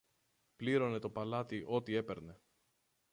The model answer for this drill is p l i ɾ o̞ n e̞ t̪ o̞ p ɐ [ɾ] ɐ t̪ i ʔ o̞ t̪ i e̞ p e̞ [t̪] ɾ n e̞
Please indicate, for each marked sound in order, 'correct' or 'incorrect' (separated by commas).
incorrect, incorrect